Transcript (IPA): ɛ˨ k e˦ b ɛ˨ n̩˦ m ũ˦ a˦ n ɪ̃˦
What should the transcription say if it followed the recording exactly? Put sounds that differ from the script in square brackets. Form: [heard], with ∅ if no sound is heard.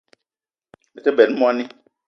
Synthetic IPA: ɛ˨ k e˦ b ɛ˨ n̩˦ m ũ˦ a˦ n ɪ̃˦